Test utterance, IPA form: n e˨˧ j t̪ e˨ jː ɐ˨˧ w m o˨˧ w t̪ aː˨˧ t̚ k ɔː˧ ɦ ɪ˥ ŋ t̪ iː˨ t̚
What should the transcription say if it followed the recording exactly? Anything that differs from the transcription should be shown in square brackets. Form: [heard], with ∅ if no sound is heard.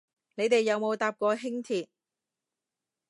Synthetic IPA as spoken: n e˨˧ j t̪ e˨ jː ɐ˨˧ w m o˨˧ w t̪ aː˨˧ [p̚] k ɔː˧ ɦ ɪ˥ ŋ [t̪ʰ] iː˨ t̚